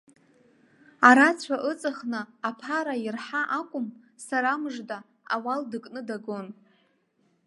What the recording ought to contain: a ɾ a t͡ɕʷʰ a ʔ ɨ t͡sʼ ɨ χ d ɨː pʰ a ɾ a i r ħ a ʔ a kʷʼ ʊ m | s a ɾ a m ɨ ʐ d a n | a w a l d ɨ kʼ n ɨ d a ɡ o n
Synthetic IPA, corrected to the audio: a ɾ a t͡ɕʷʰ a ʔ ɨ t͡sʼ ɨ χ n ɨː pʰ a ɾ a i r ħ a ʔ a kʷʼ ʊ m | s a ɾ a m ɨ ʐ d a | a w a l d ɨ kʼ n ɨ d a ɡ o n